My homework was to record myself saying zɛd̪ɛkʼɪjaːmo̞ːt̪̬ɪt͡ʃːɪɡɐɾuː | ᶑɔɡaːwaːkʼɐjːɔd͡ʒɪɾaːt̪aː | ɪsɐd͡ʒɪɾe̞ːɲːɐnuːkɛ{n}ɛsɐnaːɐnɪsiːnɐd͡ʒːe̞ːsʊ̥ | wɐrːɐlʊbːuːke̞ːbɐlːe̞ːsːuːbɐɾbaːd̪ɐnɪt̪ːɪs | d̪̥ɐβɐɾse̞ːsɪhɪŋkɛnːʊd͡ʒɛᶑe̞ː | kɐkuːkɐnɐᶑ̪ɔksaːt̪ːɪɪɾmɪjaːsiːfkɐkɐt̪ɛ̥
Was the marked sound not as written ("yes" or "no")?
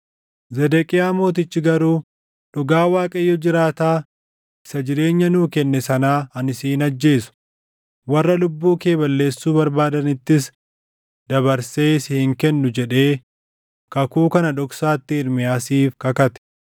yes